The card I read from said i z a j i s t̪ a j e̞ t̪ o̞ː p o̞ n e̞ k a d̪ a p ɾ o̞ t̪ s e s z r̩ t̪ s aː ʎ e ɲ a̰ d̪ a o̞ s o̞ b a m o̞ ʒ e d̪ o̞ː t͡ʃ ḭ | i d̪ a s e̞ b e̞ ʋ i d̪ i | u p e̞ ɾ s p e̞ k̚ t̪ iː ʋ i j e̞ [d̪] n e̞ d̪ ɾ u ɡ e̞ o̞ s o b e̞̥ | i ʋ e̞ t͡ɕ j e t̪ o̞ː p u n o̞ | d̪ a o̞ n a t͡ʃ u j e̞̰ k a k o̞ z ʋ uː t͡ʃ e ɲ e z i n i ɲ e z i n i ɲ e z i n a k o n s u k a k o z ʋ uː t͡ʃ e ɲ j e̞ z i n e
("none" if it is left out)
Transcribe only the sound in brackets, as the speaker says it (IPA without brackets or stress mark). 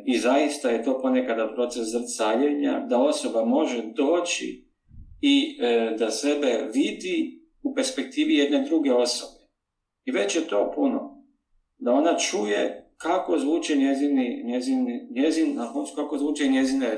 d̪